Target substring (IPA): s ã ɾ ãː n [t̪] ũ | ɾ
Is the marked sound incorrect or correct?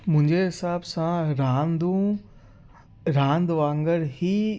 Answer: incorrect